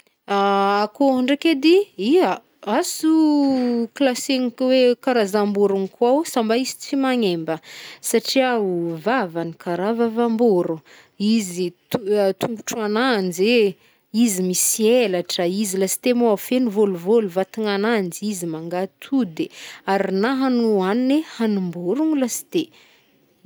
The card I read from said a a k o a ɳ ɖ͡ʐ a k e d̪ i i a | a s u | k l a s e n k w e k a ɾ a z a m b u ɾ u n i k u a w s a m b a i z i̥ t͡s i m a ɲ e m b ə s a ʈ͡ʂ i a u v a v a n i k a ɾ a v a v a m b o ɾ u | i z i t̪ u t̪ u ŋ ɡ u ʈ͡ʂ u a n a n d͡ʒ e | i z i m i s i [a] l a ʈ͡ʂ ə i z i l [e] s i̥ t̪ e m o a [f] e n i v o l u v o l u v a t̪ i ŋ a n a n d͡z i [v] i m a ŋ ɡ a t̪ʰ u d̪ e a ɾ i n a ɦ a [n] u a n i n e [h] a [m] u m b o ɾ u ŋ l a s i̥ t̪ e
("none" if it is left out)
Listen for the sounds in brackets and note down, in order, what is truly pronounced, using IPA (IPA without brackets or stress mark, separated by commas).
e, a, f, z, n, h, n